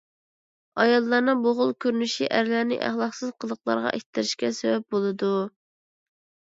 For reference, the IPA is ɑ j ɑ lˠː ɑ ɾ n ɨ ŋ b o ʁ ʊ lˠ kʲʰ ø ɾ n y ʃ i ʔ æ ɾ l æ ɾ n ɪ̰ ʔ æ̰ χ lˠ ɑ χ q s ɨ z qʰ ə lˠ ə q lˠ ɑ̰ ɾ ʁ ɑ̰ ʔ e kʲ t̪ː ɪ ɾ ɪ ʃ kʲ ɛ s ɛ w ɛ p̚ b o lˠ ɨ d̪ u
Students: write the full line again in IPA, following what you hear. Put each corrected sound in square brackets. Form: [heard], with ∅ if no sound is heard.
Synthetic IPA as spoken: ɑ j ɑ lˠː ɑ ɾ n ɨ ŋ b o ʁ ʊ lˠ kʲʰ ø ɾ n y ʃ i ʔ æ ɾ l æ ɾ n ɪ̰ ʔ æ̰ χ lˠ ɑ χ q s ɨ z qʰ ə lˠ ə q lˠ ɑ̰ ɾ ʁ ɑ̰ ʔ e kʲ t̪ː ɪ ɾ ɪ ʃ kʲ ɛ s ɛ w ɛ p̚ b o lˠ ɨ d̪ u